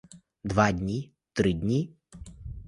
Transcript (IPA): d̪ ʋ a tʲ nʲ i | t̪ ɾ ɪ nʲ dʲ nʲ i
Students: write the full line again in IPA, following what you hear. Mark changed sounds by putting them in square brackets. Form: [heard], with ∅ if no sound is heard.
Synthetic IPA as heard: d̪ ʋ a [dʲ] nʲ i | t̪ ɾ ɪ [∅] dʲ nʲ i